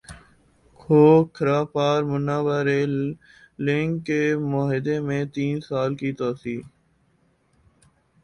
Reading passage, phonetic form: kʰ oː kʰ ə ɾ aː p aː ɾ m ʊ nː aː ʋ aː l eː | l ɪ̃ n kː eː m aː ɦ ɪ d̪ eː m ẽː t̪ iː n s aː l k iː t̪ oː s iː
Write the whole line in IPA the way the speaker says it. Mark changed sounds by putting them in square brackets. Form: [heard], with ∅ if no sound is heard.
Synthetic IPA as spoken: kʰ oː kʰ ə ɾ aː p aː ɾ m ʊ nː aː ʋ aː [ɾ] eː | l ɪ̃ [ŋ] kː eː m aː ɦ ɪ d̪ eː m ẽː t̪ iː n s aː l k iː t̪ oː s iː

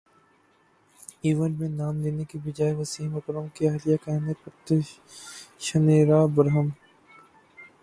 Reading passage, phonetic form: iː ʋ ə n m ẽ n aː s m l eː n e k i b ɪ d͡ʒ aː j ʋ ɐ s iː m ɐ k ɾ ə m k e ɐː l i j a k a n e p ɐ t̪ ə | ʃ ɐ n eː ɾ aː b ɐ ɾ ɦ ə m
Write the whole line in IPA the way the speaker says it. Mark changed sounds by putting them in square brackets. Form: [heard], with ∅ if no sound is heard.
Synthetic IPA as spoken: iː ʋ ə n m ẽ n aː [∅] m l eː n e k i b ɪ d͡ʒ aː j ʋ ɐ s iː m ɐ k ɾ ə m k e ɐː l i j a k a n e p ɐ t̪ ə | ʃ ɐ n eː ɾ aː b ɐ ɾ ɦ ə m

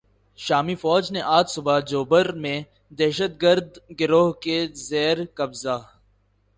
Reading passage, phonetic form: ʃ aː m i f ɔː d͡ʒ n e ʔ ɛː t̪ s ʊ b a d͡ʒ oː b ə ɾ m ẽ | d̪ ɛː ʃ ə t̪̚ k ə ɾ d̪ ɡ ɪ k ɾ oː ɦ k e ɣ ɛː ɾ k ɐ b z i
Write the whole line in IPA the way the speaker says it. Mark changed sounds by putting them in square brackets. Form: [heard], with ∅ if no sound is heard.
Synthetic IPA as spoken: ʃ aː m i f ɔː d͡ʒ n e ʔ [aː] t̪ s ʊ b a d͡ʒ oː b ə ɾ m ẽ | d̪ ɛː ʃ ə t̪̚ [ɡ] ə ɾ d̪ ɡ ɪ [∅] ɾ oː ɦ k e [z] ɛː ɾ k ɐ b z [a]

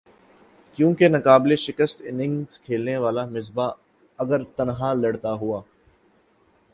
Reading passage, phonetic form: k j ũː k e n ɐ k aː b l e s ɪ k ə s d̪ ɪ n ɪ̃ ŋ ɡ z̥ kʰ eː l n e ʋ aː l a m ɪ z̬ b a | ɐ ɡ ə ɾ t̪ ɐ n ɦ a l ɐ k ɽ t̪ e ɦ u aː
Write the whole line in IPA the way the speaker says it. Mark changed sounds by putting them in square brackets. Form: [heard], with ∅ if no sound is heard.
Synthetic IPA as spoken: k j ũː k e n ɐ k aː b l e [ʃ] ɪ k ə s [t̪] ɪ n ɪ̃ ŋ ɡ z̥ kʰ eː l n e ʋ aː l a m ɪ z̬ b a | ɐ ɡ ə ɾ t̪ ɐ n ɦ a l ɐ [∅] ɽ t̪ [a] ɦ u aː

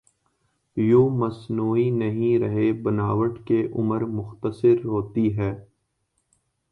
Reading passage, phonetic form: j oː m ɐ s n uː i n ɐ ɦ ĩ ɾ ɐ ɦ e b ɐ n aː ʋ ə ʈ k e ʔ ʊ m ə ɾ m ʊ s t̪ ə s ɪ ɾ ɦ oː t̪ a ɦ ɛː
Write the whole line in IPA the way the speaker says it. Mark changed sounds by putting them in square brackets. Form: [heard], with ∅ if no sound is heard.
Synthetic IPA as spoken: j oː m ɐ s n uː i n ɐ ɦ ĩ ɾ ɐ ɦ e b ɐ n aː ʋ ə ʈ k e ʔ ʊ m ə ɾ m ʊ [x] t̪ ə s ɪ ɾ ɦ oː t̪ [i] ɦ ɛː

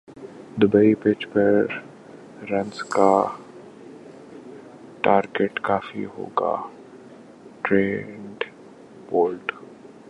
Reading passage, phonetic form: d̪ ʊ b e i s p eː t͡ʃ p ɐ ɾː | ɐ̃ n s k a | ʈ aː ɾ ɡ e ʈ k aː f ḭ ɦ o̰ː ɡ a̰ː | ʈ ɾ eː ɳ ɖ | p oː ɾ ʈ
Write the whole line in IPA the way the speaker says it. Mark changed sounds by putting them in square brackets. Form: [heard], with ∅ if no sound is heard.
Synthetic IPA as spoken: d̪ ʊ b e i [∅] p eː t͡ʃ p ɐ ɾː | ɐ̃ n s k a | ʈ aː ɾ ɡ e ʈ k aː f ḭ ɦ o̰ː ɡ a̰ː | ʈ ɾ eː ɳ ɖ | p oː [l] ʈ

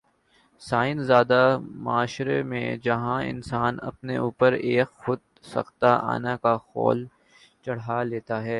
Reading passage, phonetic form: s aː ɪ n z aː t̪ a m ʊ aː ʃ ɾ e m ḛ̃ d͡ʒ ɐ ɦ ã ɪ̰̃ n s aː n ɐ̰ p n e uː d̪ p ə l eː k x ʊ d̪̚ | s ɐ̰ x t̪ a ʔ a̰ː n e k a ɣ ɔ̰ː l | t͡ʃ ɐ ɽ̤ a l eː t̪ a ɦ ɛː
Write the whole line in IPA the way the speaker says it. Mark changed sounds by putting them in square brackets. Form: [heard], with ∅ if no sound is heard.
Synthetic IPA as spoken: s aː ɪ n z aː [d̪] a m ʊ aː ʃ ɾ e m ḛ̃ d͡ʒ ɐ ɦ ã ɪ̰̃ n s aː n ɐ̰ p n e uː [∅] p ə [ɾ] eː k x ʊ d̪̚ | s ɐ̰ x t̪ a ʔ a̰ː n [a] k a [x] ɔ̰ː l | t͡ʃ ɐ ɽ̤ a l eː t̪ a ɦ ɛː

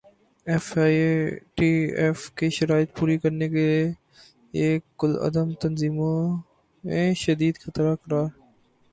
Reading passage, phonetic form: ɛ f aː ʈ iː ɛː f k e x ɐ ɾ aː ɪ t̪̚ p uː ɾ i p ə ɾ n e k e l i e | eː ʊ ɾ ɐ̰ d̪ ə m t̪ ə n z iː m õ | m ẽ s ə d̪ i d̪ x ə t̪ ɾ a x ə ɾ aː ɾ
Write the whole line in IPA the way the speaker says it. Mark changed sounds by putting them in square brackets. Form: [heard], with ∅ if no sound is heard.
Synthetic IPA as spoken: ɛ f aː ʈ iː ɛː f k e [ʃ] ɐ ɾ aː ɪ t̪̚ p uː ɾ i [k] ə ɾ n e k e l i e | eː ʊ [l] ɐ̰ d̪ ə m t̪ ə n z iː m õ | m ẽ [ʃ] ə d̪ [iː] d̪ x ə t̪ ɾ a [k] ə ɾ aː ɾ

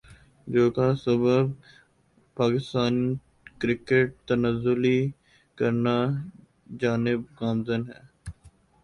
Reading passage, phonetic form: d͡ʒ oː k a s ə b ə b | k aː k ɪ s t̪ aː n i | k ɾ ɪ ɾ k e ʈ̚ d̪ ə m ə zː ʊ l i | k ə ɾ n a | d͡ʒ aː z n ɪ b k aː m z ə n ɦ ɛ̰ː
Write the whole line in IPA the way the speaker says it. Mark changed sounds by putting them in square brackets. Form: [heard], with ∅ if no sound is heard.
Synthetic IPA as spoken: d͡ʒ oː k a s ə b ə b | [p] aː k ɪ s t̪ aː n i | k ɾ ɪ [∅] k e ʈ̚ [t̪] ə [n] ə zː ʊ l i | k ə ɾ n a | d͡ʒ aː [∅] n ɪ b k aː m z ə n ɦ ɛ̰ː

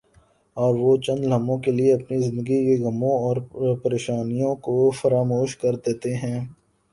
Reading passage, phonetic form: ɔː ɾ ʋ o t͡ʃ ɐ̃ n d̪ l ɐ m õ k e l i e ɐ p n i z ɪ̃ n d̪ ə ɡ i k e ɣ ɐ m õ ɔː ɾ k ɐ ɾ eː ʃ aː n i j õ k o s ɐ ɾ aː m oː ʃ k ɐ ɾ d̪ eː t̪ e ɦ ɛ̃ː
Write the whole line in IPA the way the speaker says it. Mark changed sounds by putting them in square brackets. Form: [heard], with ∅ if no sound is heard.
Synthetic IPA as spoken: ɔː ɾ ʋ o t͡ʃ ɐ̃ n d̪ l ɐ m õ k e l i e ɐ p n i z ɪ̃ n d̪ ə ɡ i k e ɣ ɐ m õ ɔː ɾ [p] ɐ ɾ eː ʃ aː n i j õ k o [f] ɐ ɾ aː m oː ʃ k ɐ ɾ d̪ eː t̪ e ɦ ɛ̃ː

